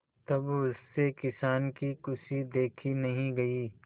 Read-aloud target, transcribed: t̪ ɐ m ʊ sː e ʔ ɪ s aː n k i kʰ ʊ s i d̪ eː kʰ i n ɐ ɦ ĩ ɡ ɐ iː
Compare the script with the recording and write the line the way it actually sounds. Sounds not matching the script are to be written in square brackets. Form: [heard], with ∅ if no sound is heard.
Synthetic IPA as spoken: t̪ ɐ [b] ʊ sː e [k] ɪ s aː n k i [k] ʊ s i d̪ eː kʰ i n ɐ ɦ ĩ ɡ ɐ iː